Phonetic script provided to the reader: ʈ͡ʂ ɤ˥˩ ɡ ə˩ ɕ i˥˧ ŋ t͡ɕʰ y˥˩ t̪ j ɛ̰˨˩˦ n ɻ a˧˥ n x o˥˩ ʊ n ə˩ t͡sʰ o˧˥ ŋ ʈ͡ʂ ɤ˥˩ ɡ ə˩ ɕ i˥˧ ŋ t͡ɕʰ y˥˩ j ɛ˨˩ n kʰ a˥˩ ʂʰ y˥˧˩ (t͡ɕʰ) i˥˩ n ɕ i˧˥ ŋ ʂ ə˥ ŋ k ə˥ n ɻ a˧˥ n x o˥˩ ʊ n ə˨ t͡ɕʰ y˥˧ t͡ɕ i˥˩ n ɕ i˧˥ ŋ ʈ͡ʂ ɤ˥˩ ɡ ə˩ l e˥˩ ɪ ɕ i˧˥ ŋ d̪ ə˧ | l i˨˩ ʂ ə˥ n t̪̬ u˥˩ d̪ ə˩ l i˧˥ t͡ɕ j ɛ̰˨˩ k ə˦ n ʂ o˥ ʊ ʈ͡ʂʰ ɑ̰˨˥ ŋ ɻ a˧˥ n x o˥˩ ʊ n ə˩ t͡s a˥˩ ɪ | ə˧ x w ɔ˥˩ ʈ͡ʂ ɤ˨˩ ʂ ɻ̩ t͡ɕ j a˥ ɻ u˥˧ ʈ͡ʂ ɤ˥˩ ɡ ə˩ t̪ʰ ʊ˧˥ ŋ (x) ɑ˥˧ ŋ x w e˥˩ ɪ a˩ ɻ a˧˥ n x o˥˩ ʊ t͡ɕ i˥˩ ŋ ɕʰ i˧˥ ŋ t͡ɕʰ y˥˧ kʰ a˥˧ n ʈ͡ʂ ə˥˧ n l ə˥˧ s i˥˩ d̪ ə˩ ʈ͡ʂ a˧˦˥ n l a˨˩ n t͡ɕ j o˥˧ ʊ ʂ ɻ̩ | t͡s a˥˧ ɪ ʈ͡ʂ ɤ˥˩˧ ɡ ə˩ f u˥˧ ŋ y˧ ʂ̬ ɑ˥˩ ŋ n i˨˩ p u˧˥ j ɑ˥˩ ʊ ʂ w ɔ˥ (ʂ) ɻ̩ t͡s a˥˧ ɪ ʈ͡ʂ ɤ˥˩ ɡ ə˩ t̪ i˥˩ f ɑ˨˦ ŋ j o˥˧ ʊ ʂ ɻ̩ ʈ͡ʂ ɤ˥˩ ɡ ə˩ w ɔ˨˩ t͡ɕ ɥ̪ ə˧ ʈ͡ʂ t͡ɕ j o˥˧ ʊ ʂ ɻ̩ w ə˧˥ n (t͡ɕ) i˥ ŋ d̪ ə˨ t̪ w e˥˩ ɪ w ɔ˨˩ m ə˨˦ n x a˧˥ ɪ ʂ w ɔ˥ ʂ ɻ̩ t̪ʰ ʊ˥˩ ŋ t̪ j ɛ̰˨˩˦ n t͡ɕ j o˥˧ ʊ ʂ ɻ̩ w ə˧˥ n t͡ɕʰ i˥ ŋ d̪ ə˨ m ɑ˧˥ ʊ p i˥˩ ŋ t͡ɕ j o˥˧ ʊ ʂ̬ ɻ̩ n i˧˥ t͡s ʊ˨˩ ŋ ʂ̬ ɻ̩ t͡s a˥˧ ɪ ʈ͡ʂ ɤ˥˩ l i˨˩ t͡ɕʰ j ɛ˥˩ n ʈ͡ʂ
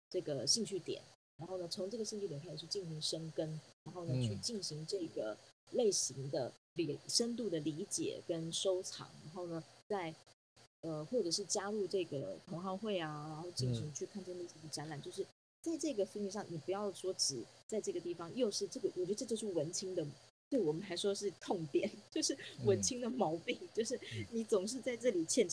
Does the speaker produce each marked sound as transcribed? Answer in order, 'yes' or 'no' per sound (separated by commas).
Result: no, yes, no, no